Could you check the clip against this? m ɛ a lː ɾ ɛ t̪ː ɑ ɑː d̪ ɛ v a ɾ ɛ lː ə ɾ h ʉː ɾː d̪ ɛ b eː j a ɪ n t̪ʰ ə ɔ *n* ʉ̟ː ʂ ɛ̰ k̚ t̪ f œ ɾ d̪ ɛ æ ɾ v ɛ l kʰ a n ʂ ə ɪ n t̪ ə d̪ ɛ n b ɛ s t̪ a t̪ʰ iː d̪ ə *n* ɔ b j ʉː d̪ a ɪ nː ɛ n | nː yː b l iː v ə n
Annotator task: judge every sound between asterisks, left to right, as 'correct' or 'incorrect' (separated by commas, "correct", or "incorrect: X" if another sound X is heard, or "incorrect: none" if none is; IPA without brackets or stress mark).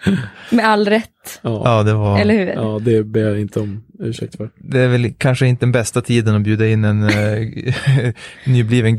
incorrect: m, correct